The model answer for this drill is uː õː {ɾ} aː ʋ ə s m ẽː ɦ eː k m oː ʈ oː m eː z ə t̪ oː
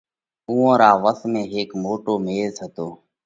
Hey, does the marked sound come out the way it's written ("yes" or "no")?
yes